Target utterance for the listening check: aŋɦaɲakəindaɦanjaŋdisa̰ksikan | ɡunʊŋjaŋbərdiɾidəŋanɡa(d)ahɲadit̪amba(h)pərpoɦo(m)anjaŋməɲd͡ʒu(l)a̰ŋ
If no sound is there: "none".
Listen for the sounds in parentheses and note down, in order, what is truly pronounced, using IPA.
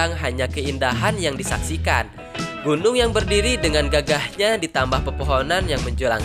ɡ, h, n, l

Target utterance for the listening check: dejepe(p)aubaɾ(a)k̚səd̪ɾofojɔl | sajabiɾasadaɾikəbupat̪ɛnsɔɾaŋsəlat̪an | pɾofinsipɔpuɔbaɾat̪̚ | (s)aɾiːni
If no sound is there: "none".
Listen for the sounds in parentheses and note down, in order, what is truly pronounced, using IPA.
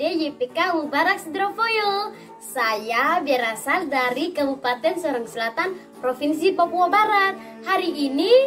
k, a, h

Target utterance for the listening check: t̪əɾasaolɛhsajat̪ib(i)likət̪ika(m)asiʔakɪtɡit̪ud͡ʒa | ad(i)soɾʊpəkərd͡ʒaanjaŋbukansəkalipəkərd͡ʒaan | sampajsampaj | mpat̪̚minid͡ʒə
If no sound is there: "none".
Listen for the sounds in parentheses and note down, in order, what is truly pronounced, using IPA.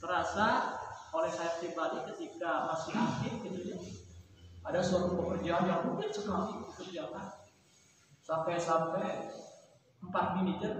a, m, a

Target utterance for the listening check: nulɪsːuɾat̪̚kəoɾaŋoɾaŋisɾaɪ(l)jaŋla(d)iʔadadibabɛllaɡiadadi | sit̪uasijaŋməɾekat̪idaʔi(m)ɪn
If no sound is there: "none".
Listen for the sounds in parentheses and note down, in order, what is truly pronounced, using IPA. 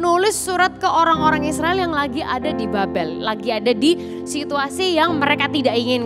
l, ɡ, ŋ

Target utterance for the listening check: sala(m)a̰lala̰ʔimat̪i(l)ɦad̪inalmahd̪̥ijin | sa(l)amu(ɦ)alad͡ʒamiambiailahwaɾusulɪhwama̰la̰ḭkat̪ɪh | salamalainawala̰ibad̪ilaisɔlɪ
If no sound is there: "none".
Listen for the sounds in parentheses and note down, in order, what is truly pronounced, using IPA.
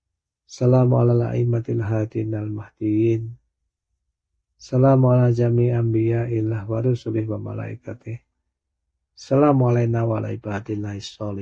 m, l, l, none

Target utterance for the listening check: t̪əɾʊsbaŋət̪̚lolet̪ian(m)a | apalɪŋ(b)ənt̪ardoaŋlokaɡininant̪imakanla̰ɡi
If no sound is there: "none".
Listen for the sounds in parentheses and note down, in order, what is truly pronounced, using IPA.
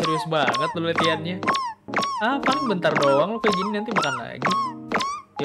ɲ, b

